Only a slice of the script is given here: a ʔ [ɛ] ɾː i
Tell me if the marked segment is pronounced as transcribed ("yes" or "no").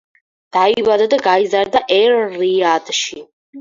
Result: yes